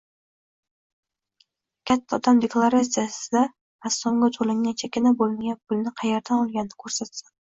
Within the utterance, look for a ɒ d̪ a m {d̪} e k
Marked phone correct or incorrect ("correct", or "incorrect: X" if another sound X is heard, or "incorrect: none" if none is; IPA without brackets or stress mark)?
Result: correct